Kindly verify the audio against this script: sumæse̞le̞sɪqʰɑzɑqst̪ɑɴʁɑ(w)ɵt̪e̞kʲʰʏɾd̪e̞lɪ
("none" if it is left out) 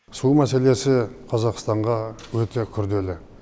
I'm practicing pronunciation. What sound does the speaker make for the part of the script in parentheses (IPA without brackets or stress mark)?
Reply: w